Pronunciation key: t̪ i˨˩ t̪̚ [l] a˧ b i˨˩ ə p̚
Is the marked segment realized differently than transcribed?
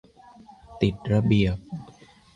yes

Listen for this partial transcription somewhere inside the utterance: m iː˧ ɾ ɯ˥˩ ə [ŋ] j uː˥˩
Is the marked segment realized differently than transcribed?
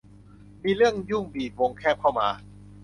no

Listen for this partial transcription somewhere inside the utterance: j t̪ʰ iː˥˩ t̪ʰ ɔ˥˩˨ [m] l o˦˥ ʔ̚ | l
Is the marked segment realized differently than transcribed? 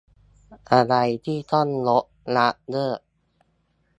yes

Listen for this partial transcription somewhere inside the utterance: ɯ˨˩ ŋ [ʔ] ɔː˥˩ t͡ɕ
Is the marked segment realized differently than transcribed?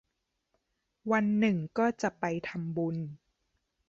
yes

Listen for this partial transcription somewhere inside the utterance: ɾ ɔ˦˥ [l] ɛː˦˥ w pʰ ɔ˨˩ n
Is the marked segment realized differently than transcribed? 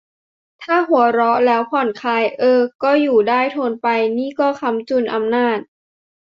no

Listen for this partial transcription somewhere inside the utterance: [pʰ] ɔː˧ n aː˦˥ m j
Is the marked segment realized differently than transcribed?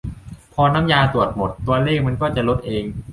no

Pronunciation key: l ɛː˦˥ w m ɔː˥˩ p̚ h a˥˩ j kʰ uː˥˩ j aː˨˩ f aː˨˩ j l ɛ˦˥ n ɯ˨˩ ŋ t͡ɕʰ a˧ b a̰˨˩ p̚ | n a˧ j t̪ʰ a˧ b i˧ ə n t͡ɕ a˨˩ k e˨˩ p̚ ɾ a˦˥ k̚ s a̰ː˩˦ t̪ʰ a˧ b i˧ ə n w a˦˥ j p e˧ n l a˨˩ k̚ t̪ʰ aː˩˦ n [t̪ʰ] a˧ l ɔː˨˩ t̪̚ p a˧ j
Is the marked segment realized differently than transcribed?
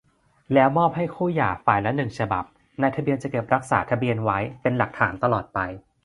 yes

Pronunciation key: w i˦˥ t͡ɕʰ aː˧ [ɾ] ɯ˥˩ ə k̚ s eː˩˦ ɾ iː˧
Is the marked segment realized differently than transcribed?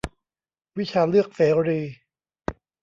yes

